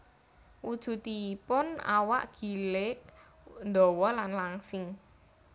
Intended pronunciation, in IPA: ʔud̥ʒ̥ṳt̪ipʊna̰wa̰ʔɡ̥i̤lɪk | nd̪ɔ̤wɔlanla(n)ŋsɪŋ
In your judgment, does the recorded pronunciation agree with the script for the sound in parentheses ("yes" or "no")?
no